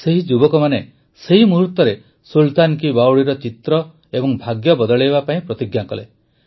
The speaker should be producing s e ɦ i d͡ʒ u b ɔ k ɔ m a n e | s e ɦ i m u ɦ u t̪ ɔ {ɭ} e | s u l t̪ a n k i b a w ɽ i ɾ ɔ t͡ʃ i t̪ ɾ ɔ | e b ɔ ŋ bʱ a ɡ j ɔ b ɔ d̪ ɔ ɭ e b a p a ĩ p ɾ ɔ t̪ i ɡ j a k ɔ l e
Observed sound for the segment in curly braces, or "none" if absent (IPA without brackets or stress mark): ɾ